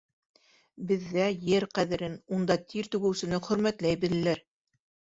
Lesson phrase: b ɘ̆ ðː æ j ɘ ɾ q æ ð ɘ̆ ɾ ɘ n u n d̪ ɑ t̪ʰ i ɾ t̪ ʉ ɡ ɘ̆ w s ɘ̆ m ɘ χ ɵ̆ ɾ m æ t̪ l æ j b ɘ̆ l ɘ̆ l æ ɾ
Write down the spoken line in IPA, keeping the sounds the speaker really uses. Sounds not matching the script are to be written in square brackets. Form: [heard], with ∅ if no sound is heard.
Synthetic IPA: b ɘ̆ ðː æ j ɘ ɾ q æ ð ɘ̆ ɾ ɘ n u n d̪ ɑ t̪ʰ i ɾ t̪ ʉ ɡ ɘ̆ w s ɘ̆ [n] ɘ χ ɵ̆ ɾ m æ t̪ l æ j b ɘ̆ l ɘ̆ l æ ɾ